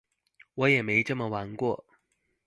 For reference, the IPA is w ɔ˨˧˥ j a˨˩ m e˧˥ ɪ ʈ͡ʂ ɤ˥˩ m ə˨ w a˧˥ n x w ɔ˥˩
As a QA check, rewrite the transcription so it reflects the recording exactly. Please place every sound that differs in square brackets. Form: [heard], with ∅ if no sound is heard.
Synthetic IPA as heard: w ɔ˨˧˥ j [ɛ˨˩] m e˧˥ ɪ ʈ͡ʂ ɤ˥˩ m ə˨ w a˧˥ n [k] w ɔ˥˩